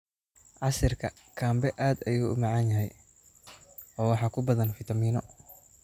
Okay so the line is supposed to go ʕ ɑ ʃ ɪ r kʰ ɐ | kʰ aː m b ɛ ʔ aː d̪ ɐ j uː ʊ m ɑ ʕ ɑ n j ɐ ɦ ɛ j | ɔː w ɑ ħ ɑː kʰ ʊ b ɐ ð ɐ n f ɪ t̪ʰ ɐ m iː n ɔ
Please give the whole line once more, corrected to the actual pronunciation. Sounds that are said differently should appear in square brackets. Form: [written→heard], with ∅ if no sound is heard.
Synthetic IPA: ʕ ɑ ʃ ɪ r kʰ ɐ | kʰ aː m b ɛ ʔ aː d̪ ɐ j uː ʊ m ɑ ʕ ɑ n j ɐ ɦ ɛ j | ɔː w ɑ ħ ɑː kʰ ʊ b ɐ ð ɐ n f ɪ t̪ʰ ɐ m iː n ɔ